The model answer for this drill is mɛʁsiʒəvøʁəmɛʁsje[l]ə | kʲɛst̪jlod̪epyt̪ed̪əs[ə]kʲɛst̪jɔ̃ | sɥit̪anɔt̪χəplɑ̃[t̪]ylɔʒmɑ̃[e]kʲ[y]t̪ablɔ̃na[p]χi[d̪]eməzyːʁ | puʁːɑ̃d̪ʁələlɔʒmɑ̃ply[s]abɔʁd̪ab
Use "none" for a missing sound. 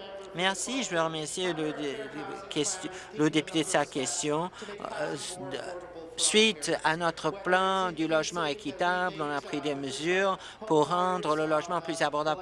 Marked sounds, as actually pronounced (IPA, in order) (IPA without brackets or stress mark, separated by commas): l, a, d̪, e, i, p, d̪, z